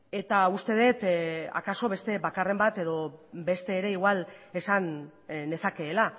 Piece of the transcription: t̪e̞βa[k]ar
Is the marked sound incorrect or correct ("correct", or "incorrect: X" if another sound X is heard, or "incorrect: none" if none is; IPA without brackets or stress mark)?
correct